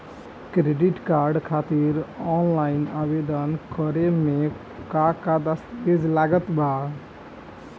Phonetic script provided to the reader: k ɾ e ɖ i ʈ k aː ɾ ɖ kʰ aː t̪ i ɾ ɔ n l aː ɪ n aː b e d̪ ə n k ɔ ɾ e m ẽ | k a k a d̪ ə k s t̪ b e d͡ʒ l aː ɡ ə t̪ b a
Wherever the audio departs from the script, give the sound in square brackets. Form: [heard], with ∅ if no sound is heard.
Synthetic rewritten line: k ɾ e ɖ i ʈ k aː ɾ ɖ kʰ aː t̪ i ɾ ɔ n l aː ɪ n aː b e d̪ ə n k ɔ ɾ e m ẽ | k a k a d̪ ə [∅] s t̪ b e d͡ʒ l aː ɡ ə t̪ b a